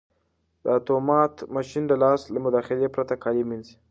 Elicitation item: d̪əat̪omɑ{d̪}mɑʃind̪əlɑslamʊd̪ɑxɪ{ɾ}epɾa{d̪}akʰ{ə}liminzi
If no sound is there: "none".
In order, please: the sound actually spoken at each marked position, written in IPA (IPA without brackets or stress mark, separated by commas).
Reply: t̪, l, t̪, ɑ